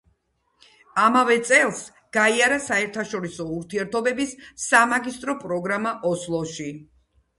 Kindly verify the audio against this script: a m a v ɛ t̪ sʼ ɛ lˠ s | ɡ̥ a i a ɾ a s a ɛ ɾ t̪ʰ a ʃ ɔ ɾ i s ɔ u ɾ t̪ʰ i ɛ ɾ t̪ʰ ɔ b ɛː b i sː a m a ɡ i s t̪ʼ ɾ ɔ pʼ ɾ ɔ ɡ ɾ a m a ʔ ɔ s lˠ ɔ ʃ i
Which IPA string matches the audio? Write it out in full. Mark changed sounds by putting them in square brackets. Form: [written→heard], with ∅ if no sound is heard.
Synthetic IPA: a m a v ɛ t̪ sʼ ɛ lˠ s | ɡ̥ a i a ɾ a s a ɛ ɾ t̪ʰ a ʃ ɔ ɾ i s ɔ u ɾ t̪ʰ i ɛ ɾ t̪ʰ ɔ b [ɛː→ɛ] b i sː a m a ɡ i s t̪ʼ ɾ ɔ pʼ ɾ ɔ ɡ ɾ a m a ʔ ɔ s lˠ ɔ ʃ i